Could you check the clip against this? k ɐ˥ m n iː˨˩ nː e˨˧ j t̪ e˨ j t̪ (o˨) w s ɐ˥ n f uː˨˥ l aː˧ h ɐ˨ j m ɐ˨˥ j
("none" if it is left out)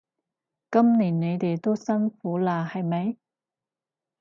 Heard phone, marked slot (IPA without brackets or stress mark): o˥